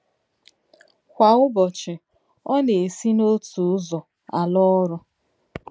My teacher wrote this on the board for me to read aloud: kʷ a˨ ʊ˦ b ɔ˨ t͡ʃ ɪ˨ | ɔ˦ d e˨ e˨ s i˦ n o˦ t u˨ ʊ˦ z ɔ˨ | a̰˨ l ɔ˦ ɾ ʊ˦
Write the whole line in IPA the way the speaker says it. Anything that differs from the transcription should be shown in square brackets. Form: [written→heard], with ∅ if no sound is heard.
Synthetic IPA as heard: kʷ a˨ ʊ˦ b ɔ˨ t͡ʃ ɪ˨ | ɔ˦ [d→n] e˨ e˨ s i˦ n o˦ t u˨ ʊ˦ z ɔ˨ | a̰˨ l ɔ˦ ɾ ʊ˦